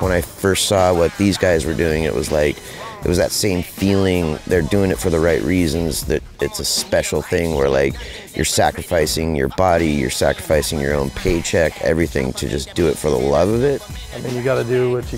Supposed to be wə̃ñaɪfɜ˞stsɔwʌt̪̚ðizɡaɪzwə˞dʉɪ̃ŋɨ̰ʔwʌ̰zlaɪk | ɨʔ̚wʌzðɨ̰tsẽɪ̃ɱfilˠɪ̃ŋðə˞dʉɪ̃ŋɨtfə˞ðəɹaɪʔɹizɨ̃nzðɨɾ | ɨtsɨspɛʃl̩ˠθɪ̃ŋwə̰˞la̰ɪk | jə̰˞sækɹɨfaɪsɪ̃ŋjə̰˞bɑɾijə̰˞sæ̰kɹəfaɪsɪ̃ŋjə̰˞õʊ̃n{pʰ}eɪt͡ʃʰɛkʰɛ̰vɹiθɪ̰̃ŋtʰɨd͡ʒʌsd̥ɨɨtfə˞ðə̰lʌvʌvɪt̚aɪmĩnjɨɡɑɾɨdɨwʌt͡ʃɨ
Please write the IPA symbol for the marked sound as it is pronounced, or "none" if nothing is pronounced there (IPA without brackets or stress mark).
pʰ